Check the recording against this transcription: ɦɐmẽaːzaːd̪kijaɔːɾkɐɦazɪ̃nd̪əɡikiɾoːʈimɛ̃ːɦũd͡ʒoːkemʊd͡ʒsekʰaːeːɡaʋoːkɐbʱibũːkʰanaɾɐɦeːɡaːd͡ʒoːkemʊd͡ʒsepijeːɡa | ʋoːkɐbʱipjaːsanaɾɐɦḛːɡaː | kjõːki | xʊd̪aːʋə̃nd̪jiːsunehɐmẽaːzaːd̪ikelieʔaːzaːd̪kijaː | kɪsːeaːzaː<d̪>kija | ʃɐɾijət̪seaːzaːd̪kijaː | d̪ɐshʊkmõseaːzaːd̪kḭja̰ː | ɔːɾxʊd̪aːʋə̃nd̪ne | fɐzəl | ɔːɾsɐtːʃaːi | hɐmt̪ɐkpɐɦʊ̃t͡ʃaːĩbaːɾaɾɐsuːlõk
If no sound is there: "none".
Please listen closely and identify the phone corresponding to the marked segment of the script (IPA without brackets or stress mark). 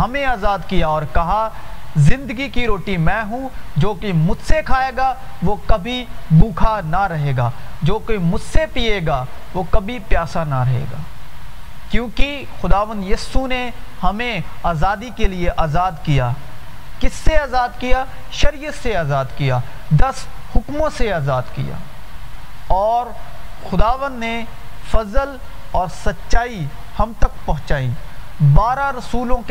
d̪